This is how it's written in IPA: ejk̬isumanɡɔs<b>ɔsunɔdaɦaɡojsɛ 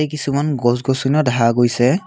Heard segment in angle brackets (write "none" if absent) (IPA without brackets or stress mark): ɡ